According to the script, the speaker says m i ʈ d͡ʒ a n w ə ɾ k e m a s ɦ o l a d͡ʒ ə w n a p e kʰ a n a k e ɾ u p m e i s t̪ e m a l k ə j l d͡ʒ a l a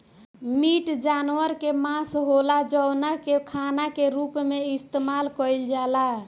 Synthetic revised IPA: m i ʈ d͡ʒ a n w ə ɾ k e m a s ɦ o l a d͡ʒ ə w n a k e kʰ a n a k e ɾ u p m e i s t̪ e m a l k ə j l d͡ʒ a l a